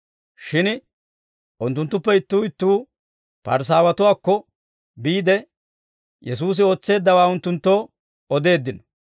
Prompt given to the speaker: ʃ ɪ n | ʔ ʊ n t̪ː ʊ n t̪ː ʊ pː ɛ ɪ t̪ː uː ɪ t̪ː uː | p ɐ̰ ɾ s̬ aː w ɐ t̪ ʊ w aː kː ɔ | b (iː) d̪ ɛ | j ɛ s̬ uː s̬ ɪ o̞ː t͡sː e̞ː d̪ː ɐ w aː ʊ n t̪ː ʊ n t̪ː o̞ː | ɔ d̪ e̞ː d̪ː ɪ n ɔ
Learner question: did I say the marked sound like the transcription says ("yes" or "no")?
yes